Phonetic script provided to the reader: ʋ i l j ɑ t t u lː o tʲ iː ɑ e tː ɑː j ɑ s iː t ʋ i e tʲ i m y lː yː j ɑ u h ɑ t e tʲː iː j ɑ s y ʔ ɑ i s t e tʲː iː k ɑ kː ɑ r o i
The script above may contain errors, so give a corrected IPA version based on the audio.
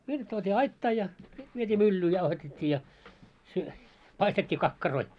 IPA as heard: ʋ i l j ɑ t t u o tʲ iː ɑ i tː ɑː j ɑ s i t ʋ i e tʲ iː m y lː yː j ɑ u h ɑ t e tʲː iː j ɑ s y p ɑ i s t e tʲː iː k ɑ kː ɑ r o i

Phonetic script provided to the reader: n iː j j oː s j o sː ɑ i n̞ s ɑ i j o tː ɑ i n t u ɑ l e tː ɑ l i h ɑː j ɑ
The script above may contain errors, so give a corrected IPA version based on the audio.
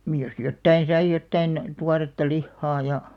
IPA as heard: n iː j j o s j o tː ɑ i n̞ s ɑ i j o tː ɑ i n t u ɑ r e tː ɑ l i hː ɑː j ɑ

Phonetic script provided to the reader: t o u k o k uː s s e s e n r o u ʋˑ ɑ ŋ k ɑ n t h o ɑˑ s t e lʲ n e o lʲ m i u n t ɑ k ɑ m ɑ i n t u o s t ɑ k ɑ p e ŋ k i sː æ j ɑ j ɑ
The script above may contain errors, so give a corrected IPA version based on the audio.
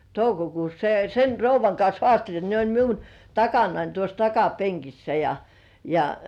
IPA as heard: t o u k o k uː s s e s e n r o u ʋˑ ɑ ŋ k ɑ n s h o ɑˑ s t e lʲ n e o lʲ m i u n t ɑ k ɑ n ɑ i n t u o s t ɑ k ɑ p e ŋ k i sː æ j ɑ j ɑ

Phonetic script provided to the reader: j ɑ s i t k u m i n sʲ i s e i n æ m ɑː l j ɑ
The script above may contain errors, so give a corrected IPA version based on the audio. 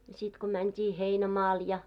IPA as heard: j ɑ s i t k o m æ n tʲ i h e i n æ m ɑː l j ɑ

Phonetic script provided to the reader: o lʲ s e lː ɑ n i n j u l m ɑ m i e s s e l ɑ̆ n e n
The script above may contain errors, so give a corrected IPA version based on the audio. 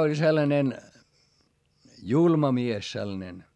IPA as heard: o lʲ s e lː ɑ n e n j u l m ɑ m i e s s e lː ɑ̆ n e n

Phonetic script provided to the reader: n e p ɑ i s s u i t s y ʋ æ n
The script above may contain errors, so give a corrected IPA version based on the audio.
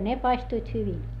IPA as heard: n e p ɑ i s t u i t h y ʋ i n

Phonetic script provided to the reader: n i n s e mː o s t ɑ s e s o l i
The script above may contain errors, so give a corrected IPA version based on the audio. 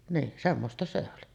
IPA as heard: n iː n s e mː o s t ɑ s e o l i

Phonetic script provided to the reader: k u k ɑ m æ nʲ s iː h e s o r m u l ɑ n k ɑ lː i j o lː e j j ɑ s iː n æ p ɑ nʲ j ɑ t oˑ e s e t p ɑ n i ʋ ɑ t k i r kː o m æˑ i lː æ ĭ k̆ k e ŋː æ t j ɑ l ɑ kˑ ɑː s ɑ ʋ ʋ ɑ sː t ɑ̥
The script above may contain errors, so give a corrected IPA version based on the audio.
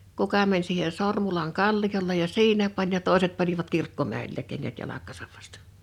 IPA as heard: k u k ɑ m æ nʲ s iː h e s o r m u l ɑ n k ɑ lː i j o lː e j j ɑ s iː n æ p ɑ nʲ j ɑ t oˑ e s e t p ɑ n i ʋ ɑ t k i r kː o m æˑ i lː æ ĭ k̆ k e ŋː æ t j ɑ l ɑ kˑ ɑː s ɑ ʋ ʋ ɑ s t ɑ̥

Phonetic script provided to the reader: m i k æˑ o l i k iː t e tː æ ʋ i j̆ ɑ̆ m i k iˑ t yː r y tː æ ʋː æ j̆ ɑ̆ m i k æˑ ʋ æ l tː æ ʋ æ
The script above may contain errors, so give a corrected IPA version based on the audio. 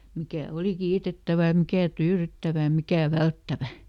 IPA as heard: m i k æˑ o l i k iː t e tː æ ʋ æ j̆ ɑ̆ m i k æˑ t yː r y tː æ ʋ æ j̆ ɑ̆ m i k æˑ ʋ æ l tː æ ʋ æ

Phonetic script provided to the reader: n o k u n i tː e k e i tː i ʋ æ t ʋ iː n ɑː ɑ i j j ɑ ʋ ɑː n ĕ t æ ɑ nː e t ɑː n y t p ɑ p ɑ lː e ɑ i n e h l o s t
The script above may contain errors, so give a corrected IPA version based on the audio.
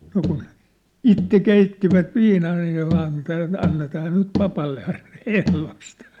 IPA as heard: n o k u n i tː e k e i tː i ʋ æ t ʋ iː n ɑː ɑ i j j ɑ ʋ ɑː n ĕ t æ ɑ nː e t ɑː n y t p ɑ p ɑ lː e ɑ i n e h l o s t

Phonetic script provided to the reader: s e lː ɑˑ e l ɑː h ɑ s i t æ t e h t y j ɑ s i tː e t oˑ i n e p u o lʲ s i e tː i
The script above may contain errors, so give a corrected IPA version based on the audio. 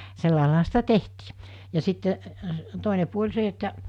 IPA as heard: s e lː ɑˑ e l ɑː h ɑ s i t æ t e h t i j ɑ s i tː e t oˑ i n e p u o lʲ s e e tː æ

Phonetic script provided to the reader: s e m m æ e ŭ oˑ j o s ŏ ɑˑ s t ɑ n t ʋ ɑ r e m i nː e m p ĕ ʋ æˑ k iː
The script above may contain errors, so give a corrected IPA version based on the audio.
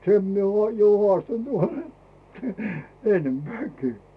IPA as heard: s e m m i e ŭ oˑ j o h ŏ ɑˑ s t ɑ n t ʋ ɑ r e m e nː e m p ĕ æˑ k iː

